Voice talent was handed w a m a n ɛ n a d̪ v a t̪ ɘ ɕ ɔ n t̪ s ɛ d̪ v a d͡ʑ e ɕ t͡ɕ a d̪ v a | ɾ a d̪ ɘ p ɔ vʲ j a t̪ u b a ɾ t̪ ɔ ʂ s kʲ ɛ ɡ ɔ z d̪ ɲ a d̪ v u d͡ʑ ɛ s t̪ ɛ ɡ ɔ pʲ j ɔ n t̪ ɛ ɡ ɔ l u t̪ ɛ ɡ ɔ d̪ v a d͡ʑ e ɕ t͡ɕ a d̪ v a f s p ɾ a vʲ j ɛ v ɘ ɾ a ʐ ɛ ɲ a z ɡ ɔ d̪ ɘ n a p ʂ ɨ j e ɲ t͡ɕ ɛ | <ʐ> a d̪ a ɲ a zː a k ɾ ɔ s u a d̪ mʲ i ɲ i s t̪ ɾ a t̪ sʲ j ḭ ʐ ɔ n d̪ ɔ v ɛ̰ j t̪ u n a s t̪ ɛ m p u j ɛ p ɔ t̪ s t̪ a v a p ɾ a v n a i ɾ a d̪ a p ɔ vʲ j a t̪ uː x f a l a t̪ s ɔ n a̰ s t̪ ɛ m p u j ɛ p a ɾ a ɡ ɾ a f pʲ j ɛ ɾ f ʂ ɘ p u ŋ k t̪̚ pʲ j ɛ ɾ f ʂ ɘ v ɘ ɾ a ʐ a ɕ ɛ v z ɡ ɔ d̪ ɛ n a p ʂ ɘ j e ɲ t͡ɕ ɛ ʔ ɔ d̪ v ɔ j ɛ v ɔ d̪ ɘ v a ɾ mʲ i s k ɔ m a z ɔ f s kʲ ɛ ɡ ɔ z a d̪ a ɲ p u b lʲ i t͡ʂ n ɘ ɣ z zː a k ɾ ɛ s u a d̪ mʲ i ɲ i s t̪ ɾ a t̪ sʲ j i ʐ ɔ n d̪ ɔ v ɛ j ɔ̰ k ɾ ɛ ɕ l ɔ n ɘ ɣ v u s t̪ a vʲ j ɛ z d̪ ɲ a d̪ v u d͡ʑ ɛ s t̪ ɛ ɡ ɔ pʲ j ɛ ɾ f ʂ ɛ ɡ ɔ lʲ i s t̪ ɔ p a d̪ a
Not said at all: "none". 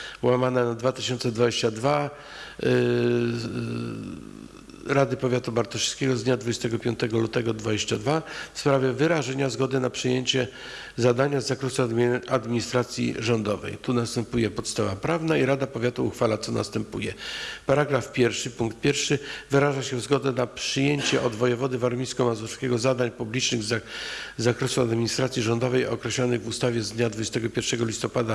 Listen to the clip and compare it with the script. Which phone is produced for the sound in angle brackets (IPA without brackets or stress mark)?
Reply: z